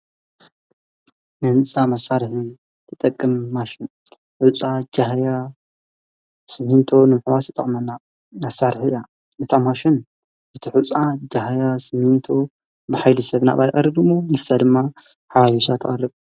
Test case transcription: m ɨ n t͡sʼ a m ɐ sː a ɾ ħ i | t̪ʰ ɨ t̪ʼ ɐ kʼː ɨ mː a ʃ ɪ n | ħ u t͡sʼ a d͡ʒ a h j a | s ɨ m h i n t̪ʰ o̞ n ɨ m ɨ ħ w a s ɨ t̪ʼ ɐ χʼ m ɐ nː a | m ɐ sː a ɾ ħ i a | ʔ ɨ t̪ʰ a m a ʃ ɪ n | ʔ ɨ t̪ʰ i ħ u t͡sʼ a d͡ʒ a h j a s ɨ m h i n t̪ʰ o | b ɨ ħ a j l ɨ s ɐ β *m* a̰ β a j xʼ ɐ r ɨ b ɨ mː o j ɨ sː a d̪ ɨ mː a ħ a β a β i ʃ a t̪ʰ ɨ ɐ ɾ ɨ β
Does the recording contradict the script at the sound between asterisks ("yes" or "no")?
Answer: yes